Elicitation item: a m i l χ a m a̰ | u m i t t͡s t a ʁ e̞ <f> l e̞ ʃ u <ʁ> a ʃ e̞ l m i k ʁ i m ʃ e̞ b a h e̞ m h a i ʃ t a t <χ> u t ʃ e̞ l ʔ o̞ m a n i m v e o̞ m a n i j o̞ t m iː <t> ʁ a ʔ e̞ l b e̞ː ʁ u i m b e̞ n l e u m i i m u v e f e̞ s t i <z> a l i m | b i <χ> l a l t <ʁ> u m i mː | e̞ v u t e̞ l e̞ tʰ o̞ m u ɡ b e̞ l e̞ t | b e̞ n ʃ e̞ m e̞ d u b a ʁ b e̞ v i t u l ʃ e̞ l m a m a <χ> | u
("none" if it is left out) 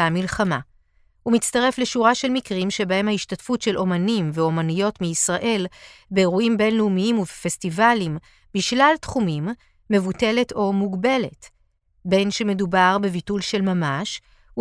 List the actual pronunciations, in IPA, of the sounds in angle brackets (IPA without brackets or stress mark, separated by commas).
f, ʁ, f, s, v, ʃ, χ, ʃ